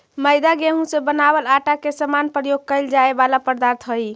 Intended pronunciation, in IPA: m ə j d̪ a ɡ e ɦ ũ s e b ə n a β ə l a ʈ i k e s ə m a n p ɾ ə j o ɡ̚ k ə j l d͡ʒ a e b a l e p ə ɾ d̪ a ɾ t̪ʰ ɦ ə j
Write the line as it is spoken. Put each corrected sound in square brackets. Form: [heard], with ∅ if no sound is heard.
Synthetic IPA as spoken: m ə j d̪ a ɡ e ɦ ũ s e b ə n a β ə l a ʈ [a] k e s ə m a n p ɾ ə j o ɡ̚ k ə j l d͡ʒ a e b a l [a] p ə ɾ d̪ a ɾ t̪ʰ ɦ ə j